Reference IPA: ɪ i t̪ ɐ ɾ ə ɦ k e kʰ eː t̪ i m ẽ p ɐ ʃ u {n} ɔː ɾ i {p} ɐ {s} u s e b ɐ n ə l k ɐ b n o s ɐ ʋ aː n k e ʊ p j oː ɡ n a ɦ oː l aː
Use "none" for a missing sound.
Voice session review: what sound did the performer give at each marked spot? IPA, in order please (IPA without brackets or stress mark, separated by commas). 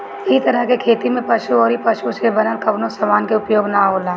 none, p, ʃ